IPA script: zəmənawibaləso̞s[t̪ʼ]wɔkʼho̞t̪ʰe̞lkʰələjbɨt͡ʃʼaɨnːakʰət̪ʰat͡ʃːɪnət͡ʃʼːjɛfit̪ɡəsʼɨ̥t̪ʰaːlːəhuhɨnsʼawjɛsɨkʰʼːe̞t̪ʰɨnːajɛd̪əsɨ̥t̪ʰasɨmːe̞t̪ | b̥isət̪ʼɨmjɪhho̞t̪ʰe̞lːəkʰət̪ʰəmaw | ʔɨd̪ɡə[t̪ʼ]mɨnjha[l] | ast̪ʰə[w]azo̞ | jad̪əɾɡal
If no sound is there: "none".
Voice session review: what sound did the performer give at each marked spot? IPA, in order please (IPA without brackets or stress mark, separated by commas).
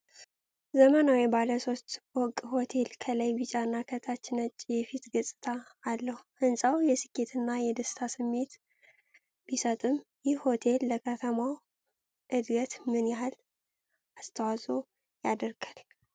t̪, t̪, l, w